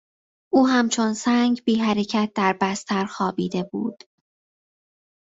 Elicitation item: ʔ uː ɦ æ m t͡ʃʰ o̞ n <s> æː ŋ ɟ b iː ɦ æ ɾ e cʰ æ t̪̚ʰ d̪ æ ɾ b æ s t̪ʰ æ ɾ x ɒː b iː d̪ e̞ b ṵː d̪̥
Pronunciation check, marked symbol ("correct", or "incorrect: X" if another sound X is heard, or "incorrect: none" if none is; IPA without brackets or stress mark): correct